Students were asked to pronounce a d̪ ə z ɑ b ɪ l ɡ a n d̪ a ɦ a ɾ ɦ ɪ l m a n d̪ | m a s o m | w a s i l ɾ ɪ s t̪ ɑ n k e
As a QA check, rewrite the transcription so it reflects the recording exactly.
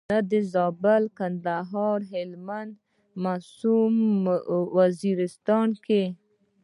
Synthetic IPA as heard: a d̪ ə z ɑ b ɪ l k a n d̪ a ɦ ɑ ɾ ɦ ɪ l m a n d̪ | m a s u m | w a z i ɾ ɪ s t̪ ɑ n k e